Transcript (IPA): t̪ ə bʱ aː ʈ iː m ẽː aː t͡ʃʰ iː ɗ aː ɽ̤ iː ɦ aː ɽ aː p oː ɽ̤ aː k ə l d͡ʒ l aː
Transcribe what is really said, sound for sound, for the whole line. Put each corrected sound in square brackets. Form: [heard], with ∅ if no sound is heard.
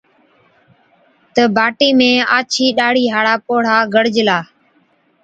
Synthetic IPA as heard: t̪ ə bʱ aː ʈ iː m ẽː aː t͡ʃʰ iː ɗ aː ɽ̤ iː ɦ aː ɽ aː p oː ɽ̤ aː [ɡ] ə [ɽ] d͡ʒ l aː